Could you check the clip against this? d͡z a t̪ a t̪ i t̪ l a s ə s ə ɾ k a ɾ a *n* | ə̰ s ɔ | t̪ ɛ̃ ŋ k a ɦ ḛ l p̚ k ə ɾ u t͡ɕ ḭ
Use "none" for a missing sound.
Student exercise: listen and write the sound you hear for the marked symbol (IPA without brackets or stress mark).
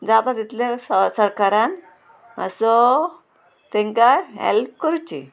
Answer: n